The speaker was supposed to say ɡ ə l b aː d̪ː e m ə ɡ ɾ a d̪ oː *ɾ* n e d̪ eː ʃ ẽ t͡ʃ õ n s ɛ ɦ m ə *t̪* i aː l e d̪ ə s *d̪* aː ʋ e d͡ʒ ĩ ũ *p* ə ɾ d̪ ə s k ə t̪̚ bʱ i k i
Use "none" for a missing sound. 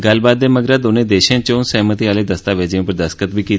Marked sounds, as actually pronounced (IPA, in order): none, t̪, t̪, p

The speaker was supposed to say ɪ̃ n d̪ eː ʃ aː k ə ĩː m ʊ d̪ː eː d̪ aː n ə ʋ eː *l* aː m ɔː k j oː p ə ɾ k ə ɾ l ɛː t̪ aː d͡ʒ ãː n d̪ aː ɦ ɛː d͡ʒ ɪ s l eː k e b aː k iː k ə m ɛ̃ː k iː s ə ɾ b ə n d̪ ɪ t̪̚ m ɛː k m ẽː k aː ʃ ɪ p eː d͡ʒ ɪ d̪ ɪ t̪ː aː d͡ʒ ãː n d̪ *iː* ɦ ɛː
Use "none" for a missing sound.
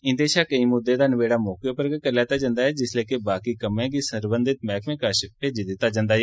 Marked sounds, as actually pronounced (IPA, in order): ɽ, aː

